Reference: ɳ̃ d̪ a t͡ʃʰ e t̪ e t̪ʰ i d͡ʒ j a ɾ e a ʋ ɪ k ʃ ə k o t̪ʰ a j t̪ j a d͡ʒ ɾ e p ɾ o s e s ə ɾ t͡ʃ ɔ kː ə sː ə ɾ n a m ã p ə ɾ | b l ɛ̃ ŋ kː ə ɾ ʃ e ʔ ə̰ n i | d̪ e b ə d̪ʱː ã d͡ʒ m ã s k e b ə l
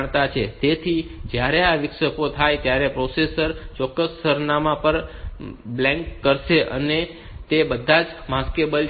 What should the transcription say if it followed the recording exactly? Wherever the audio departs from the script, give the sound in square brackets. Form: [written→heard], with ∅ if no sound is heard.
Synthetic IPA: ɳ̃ [d̪→t̪] a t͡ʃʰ e t̪ e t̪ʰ i d͡ʒ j a ɾ e a ʋ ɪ k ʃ ə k o t̪ʰ a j t̪ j a [d͡ʒ→∅] ɾ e p ɾ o s e s ə ɾ t͡ʃ ɔ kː ə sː ə ɾ n a m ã p ə ɾ | b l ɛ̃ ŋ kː ə ɾ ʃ e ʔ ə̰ n [i→e] | [d̪→t̪] e b ə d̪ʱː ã d͡ʒ m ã s k e b ə l

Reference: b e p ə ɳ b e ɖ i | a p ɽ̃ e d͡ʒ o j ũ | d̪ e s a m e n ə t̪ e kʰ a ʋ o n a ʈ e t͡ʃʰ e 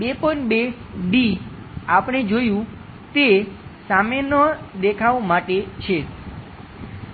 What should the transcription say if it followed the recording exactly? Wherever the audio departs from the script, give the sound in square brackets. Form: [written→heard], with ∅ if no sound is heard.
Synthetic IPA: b e p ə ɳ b e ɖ i | a p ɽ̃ e d͡ʒ o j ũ | [d̪→t̪] e s a m e n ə [t̪→d̪] e kʰ a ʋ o [n→m] a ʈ e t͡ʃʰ e

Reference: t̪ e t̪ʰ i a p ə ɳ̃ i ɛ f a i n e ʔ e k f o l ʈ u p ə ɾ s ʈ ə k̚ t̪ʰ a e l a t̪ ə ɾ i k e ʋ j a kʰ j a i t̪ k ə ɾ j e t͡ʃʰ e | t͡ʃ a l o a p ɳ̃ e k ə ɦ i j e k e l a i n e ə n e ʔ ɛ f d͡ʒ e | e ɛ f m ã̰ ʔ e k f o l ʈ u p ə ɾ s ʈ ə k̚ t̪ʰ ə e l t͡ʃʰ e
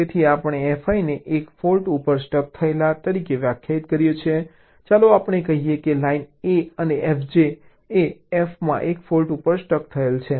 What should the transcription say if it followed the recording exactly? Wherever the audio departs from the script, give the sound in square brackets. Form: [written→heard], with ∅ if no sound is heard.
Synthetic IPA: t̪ e t̪ʰ i a p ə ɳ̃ [i→e] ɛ f a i n e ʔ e k f o l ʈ u p ə ɾ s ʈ ə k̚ t̪ʰ [a→ə] e l a t̪ ə ɾ i k e ʋ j a kʰ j a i t̪ k ə ɾ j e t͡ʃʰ e | t͡ʃ a l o a p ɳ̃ e k ə ɦ i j e k e l a i n e ə n e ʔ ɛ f d͡ʒ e | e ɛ f m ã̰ ʔ e k f o l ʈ u p ə ɾ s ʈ ə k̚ t̪ʰ ə e l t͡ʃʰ e

